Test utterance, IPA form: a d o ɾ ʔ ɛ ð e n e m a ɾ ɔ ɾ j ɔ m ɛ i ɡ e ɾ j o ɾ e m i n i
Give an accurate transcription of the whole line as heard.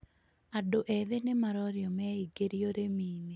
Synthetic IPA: a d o ʔ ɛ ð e n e m a ɾ ɔ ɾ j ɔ m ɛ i ɡ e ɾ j o ɾ e m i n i